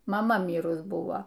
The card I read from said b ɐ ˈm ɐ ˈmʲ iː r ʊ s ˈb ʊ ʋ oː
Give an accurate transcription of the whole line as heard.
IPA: m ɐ ˈm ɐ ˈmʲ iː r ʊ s ˈb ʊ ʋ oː